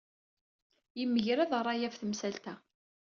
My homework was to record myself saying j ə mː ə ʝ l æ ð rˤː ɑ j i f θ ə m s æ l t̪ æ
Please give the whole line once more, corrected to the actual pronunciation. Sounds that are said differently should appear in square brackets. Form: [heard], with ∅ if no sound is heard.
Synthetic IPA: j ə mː ə ʝ [ɾ] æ ð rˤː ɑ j [æ] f θ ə m s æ l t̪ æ

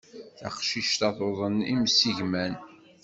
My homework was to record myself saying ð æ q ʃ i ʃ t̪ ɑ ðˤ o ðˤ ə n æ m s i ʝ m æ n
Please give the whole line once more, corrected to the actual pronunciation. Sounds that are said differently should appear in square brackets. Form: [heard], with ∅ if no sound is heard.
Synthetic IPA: [θ] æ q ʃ i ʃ t̪ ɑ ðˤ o ðˤ ə n [i] m s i ʝ m æ n

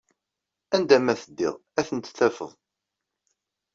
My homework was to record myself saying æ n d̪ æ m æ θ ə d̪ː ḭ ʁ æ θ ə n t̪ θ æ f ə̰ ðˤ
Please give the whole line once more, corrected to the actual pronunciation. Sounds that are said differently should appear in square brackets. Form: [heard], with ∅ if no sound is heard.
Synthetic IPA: æ n d̪ æ m æ θ ə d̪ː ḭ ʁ æ θ ə n t̪ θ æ f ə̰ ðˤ

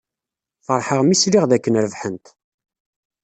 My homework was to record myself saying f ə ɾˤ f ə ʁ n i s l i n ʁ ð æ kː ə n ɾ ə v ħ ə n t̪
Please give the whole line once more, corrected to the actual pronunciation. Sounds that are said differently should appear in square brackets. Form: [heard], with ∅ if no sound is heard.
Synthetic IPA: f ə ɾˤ [ħ] ə ʁ [m] i s l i [∅] ʁ ð æ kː ə n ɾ ə v ħ ə n t̪

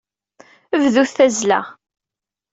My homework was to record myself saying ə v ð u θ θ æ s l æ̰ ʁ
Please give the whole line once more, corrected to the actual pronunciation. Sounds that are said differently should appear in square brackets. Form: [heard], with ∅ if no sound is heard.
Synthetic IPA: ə v ð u θ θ æ [z] l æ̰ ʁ

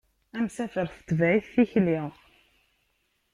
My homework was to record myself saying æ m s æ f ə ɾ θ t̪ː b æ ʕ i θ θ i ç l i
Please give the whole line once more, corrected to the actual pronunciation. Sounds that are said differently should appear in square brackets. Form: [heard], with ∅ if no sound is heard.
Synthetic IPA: æ m s æ f ə ɾ θ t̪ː [v] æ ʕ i θ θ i ç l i

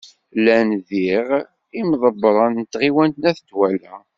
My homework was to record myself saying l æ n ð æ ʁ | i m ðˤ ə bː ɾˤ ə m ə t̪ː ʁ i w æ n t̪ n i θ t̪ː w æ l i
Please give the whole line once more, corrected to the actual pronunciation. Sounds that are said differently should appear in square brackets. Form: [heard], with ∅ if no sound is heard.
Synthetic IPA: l æ n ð [i] ʁ | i m ðˤ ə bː ɾˤ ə [n] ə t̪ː ʁ i w æ n t̪ n [æ] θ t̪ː w æ l [æ]

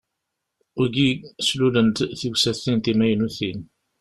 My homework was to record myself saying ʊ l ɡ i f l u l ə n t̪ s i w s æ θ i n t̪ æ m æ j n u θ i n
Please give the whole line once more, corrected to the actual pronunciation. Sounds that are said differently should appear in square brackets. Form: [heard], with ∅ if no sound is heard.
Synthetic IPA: ʊ [ɾ] ɡ i [s] l u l ə n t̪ [θ] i w s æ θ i n t̪ [i] m æ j n u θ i n

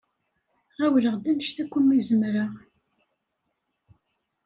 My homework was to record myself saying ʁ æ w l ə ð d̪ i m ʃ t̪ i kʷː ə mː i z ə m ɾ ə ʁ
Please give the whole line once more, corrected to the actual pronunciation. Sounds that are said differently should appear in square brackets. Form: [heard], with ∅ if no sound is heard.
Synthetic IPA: ʁ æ w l ə [ʁ] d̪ [æ] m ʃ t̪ [æ] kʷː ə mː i z ə m ɾ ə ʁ

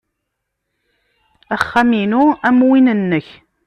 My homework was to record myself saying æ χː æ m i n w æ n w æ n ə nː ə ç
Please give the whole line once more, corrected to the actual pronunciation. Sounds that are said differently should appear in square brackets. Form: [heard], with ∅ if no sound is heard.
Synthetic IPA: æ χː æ m i n [u] æ [m] w [i] n ə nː ə ç

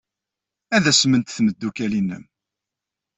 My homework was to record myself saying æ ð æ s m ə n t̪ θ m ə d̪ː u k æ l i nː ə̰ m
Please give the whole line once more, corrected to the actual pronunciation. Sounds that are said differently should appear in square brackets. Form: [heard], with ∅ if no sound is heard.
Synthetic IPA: æ ð æ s m ə n t̪ θ m ə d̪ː u k æ l i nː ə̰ m

